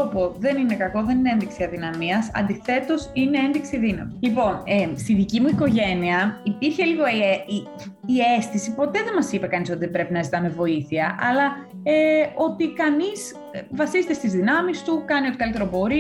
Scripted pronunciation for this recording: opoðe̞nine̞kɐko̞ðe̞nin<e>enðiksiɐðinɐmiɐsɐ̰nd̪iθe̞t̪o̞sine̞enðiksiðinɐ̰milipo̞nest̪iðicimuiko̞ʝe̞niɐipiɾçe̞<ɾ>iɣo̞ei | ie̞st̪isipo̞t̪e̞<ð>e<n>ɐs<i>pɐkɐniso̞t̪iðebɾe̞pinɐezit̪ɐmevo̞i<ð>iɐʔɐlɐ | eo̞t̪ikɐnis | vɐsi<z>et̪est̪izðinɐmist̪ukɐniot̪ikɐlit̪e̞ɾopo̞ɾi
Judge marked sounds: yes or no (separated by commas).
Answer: yes, no, yes, no, yes, no, yes